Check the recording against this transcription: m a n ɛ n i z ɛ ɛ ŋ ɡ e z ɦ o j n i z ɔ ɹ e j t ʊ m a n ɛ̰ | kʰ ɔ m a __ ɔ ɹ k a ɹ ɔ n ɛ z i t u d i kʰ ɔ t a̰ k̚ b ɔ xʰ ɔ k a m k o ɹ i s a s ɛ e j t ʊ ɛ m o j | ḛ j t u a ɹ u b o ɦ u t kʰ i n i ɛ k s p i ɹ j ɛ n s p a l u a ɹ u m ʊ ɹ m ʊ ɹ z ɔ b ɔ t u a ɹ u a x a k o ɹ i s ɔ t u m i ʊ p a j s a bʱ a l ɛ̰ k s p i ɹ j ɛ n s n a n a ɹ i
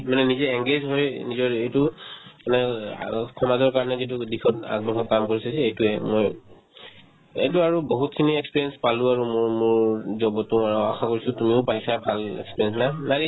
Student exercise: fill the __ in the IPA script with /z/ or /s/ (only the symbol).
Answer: z